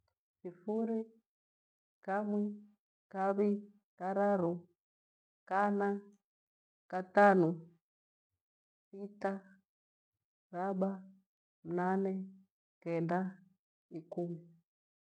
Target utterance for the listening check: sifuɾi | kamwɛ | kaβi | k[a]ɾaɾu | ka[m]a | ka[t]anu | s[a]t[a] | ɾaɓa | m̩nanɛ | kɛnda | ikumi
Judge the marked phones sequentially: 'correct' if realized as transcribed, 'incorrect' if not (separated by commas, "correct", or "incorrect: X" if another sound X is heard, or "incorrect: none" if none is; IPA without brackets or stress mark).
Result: correct, incorrect: n, correct, incorrect: i, correct